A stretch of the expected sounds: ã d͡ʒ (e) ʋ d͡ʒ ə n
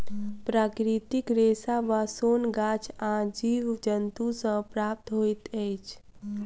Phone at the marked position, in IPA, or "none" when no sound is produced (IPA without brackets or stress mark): i